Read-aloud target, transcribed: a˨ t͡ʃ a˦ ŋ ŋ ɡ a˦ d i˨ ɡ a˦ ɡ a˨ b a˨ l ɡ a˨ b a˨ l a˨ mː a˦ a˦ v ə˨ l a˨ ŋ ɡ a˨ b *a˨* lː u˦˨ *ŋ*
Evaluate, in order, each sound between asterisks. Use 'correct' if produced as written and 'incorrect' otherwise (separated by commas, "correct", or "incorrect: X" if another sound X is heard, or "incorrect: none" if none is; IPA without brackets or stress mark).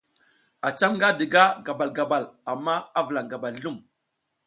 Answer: correct, incorrect: m